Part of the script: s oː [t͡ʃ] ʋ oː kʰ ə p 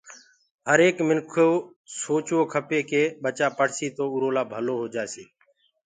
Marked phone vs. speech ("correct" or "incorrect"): correct